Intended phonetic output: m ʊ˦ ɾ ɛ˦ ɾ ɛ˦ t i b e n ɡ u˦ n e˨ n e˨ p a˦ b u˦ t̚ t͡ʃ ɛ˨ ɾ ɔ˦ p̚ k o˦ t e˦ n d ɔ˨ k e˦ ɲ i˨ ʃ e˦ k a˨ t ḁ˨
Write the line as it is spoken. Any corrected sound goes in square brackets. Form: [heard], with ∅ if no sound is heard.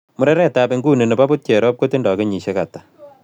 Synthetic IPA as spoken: m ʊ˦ ɾ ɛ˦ ɾ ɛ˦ t [a] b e [ŋ] ɡ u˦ n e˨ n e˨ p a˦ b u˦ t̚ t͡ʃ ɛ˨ ɾ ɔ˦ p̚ k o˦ t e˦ n d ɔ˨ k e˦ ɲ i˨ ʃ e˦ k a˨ t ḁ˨